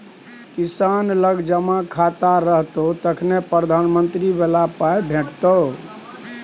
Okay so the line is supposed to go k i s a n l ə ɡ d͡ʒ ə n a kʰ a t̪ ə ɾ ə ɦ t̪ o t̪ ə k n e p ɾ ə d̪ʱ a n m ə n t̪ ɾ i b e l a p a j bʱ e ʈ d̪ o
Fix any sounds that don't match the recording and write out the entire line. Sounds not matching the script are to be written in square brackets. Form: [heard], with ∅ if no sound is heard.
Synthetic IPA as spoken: k i s a n l ə ɡ d͡ʒ ə [m] a kʰ a t̪ [a] ɾ ə ɦ t̪ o t̪ ə [kʰ] n e p ɾ ə d̪ʱ a n m ə n t̪ ɾ i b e l a p a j bʱ e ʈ [t̪] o